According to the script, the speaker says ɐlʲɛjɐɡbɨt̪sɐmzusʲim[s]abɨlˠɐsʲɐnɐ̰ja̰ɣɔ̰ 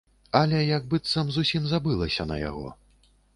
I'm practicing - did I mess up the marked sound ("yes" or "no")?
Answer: yes